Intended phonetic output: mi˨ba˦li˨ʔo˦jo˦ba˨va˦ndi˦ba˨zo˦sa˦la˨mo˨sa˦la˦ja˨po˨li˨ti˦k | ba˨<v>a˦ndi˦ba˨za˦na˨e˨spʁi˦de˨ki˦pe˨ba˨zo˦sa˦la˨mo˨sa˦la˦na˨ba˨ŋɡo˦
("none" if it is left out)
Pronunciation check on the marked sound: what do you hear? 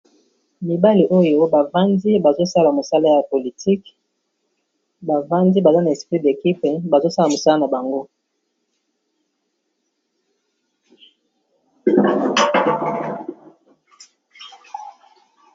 v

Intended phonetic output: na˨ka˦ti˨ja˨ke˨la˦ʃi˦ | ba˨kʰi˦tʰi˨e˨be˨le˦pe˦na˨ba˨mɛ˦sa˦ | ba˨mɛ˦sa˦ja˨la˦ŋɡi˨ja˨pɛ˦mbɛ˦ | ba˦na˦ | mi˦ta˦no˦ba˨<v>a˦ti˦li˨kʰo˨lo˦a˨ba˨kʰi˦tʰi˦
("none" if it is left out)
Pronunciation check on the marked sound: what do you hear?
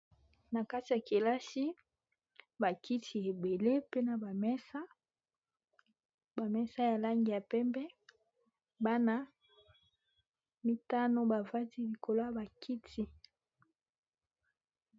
v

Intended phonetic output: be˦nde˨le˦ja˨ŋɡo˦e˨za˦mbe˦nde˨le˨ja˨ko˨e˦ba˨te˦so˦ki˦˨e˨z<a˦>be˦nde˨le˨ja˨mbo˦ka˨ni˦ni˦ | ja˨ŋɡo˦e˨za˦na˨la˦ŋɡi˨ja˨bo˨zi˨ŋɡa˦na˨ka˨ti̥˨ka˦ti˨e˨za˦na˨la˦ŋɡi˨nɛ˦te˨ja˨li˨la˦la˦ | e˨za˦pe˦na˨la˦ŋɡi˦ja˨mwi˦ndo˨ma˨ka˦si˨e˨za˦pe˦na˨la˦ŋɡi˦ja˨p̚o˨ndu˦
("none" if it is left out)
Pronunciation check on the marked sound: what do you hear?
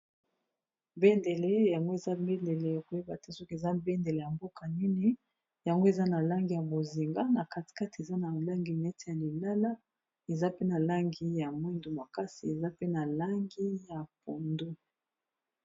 a˦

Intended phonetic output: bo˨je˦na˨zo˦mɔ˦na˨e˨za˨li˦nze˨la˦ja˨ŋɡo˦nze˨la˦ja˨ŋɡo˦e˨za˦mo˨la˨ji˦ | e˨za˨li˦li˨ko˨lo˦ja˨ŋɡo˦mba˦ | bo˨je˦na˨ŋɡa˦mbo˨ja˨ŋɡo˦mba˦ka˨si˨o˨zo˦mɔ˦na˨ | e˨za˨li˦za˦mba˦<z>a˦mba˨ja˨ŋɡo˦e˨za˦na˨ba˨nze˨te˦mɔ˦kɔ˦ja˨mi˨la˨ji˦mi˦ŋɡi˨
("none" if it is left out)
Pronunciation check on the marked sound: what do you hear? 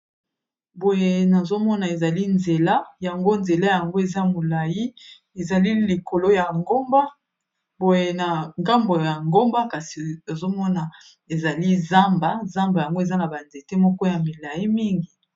z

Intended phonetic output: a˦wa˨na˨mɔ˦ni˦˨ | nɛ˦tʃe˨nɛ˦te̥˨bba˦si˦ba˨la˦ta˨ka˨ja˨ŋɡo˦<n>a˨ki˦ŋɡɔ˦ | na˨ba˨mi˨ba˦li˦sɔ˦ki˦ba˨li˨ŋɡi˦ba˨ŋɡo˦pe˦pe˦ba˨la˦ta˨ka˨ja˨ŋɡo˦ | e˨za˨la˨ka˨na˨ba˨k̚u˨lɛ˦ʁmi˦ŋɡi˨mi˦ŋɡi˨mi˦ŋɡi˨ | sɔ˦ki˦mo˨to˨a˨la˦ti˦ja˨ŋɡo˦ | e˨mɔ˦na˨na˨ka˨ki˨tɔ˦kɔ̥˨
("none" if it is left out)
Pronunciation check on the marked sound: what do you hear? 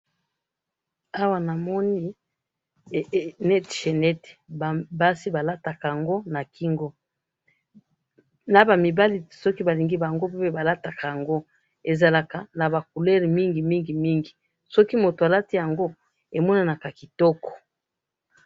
n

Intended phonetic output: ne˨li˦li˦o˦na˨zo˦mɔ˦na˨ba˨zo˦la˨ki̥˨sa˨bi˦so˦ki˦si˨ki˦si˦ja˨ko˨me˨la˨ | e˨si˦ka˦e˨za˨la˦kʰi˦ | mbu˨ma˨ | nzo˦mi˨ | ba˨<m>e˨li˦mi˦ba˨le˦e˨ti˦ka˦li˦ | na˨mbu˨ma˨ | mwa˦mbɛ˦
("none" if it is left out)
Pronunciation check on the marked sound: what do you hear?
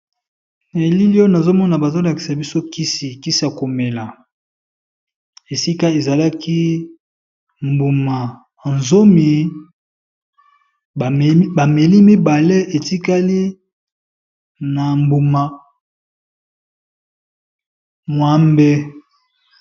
m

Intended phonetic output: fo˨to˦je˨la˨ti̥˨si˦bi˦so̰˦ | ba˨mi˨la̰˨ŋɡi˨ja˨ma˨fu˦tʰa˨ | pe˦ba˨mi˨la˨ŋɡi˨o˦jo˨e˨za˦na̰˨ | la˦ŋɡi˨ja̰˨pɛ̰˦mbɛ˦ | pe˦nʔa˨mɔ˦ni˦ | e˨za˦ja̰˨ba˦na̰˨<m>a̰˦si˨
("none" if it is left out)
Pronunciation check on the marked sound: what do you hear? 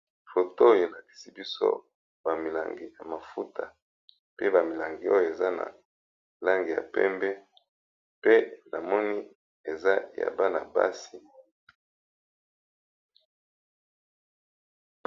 b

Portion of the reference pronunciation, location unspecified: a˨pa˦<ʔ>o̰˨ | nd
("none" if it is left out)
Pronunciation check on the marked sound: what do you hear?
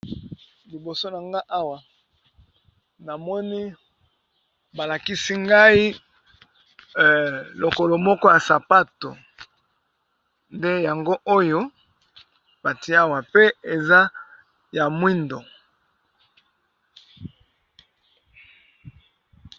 t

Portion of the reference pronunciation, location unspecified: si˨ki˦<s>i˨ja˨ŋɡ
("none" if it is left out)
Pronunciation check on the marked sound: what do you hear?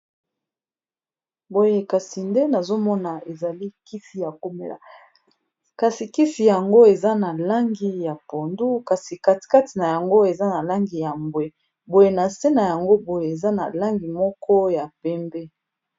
f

